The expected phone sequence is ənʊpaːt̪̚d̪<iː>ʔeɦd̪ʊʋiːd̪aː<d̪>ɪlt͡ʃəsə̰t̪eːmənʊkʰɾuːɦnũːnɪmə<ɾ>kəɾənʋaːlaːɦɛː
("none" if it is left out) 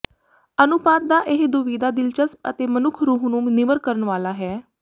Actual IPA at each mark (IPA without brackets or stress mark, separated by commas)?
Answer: aː, d̪, ɾ